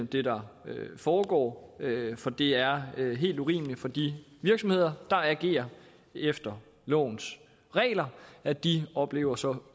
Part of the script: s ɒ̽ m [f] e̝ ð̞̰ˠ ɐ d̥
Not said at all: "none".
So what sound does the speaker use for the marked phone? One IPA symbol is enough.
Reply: h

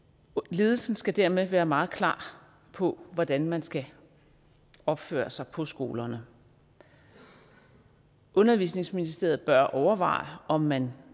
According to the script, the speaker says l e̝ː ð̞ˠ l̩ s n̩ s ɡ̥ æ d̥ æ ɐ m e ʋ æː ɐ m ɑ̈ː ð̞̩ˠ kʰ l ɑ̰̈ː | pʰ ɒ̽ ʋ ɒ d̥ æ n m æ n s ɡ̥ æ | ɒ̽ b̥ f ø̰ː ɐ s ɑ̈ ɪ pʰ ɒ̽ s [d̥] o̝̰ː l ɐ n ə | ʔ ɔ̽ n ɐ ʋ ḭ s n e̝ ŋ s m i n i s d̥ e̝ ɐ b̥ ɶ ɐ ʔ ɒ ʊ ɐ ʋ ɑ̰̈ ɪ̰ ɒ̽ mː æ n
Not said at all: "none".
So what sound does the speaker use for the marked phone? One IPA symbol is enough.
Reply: ɡ̥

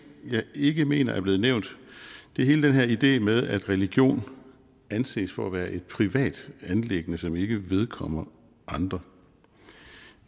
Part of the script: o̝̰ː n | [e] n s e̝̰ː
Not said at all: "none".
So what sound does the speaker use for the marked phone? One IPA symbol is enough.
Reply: æ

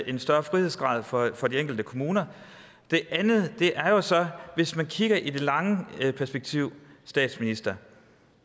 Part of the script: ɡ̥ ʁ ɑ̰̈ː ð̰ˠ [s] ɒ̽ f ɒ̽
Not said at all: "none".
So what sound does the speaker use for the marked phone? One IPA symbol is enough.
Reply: f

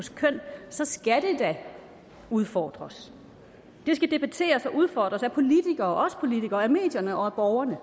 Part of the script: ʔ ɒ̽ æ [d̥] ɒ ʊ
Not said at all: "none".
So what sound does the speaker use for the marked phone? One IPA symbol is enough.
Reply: b̥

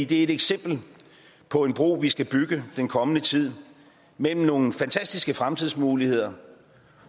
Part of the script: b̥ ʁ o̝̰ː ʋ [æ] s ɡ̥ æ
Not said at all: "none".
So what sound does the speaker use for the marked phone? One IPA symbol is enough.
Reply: i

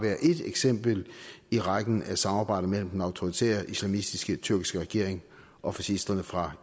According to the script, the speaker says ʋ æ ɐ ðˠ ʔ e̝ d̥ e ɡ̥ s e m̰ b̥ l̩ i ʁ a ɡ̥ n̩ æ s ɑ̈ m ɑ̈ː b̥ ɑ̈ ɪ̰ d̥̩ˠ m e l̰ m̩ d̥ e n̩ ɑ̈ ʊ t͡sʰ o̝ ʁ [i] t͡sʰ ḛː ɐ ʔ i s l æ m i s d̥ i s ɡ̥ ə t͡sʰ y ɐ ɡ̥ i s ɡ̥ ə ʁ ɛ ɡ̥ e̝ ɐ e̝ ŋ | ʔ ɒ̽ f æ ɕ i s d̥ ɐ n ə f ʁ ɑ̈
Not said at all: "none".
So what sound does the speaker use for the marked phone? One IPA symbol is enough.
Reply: i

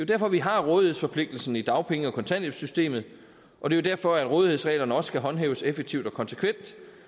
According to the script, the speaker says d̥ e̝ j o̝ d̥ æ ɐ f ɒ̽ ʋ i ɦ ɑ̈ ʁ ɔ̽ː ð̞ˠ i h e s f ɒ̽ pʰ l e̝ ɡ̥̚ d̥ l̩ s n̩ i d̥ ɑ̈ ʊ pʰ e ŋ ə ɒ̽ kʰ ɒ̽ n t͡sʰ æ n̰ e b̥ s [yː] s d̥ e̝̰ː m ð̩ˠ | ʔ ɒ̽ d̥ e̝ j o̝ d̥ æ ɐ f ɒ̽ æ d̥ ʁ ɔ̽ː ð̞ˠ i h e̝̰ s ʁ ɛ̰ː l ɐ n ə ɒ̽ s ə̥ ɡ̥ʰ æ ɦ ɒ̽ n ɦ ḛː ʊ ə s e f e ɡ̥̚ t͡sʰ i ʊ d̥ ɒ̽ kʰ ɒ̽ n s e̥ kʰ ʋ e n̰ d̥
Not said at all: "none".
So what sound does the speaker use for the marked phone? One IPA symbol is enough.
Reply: y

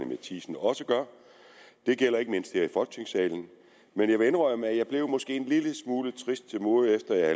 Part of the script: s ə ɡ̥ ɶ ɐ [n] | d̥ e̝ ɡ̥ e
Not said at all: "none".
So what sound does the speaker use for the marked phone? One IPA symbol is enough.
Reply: none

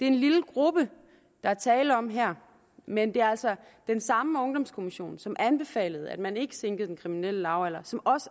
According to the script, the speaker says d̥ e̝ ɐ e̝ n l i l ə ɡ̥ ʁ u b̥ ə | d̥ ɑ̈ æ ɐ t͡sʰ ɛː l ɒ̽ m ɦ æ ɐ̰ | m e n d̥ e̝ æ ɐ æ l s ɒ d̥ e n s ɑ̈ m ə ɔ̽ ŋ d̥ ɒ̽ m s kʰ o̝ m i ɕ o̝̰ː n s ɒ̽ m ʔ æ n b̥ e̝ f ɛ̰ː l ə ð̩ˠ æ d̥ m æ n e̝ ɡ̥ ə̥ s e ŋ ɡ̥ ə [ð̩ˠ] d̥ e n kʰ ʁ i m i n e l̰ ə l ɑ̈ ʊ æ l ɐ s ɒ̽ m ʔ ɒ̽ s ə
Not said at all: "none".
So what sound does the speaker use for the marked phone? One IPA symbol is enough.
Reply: ð̩ˠ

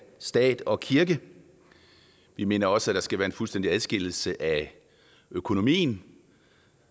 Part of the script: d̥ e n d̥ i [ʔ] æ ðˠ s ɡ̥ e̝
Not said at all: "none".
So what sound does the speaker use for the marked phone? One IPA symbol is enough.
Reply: none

